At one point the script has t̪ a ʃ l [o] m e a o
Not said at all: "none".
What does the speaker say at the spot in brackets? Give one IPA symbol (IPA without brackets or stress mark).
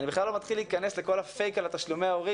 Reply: u